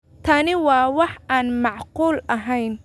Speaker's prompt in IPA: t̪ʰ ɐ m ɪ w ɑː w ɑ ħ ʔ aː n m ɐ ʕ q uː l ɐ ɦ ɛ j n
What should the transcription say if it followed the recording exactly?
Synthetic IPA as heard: t̪ʰ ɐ n ɪ w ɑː w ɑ ħ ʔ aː n m ɑ ʕ q uː l ɐ ɦ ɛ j n